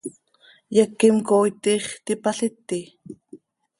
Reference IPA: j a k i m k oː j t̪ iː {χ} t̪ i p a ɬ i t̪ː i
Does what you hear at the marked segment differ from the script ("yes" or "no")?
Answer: no